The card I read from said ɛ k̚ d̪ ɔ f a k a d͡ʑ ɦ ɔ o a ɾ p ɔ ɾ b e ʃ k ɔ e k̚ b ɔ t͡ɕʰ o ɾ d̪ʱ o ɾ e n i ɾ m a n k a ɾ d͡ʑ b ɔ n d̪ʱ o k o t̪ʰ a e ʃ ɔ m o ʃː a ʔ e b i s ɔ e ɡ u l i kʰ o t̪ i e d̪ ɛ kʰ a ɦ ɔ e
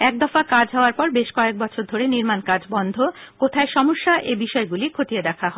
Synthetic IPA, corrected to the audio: ɛ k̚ d̪ ɔ f a k a d͡ʑ ɦ ɔ o a ɾ p ɔ ɾ b e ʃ k ɔ e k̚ b ɔ t͡ɕʰ o ɾ d̪ʱ o ɾ e n i ɾ m a n k a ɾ d͡ʑ b ɔ n d̪ʱ o k o t̪ʰ a e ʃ ɔ m o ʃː a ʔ e b i ʃ ɔ e ɡ u l i kʰ o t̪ i e d̪ ɛ kʰ a ɦ ɔ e